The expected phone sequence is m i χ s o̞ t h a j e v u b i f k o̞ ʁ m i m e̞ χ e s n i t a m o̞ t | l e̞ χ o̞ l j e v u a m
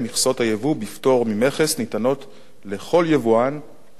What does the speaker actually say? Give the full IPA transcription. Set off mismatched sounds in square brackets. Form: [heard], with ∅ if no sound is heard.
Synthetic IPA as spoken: m i χ s o̞ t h a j e v u b i f [t] o̞ ʁ m i m e̞ χ e s n i t a [n] o̞ t | l e̞ χ o̞ l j e v u a [n]